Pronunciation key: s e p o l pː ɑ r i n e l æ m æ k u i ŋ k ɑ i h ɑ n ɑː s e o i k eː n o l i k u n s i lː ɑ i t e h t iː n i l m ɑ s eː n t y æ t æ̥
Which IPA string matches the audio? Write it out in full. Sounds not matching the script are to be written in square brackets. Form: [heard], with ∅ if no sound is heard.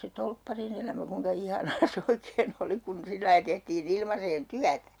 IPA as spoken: s e [t] o l pː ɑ r i n e l æ m æ k u i ŋ k ɑ i h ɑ n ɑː s e o i k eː n o l i k u n s i lː ɑ i t e h t iː n i l m ɑ s eː n t y æ t æ̥

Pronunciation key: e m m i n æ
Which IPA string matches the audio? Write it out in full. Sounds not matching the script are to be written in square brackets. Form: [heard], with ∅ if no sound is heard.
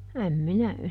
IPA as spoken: [æ] m m i n æ

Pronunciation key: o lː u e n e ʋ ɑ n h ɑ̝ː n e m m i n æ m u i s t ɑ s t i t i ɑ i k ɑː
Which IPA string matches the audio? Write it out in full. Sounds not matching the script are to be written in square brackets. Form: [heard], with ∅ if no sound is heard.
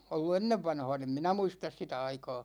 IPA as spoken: o lː u e [nː] e [ʋː] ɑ n h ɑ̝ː n e m m i n æ m u i s t ɑ s [s] i t [æ] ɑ i k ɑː

